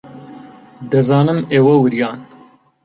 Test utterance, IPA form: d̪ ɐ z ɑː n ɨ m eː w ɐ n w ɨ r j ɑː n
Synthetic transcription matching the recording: d̪ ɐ z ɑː n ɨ m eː w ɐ w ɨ ɾ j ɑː n